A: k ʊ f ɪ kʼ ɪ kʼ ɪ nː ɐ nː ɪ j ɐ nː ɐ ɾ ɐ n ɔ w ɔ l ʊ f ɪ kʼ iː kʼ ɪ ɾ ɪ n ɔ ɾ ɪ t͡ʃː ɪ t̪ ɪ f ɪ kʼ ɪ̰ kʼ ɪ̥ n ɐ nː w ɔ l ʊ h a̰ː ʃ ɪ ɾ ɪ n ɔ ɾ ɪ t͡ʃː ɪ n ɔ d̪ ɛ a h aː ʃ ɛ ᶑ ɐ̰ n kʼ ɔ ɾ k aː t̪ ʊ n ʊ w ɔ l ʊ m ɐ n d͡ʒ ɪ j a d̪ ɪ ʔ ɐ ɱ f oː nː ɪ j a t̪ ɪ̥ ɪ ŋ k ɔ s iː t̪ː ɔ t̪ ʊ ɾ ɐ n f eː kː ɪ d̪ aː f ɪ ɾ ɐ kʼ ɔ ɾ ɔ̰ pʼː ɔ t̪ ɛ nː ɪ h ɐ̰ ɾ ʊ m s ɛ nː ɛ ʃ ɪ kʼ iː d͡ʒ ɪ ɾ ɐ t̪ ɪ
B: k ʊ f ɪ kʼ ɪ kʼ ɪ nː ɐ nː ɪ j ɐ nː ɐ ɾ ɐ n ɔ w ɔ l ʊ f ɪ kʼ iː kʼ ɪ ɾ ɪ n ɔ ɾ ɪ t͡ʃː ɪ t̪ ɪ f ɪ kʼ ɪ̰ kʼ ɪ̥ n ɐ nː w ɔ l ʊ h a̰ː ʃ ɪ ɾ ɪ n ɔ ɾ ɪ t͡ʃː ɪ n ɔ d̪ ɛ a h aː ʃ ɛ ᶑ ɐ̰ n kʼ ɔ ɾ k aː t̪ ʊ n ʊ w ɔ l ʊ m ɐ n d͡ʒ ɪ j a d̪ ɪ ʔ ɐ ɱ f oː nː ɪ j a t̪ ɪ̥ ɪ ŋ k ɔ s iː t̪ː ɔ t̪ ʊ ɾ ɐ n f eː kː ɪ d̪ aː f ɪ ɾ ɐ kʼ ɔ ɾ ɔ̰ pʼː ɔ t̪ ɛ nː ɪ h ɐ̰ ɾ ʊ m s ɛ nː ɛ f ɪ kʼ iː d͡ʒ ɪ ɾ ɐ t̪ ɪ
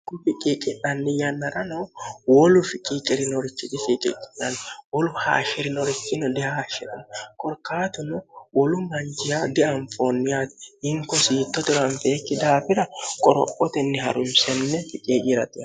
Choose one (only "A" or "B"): B